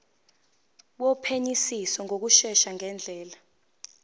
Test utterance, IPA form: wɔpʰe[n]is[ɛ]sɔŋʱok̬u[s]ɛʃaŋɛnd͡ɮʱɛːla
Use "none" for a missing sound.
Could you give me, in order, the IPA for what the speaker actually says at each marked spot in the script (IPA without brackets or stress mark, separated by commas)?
ɲ, i, ʃ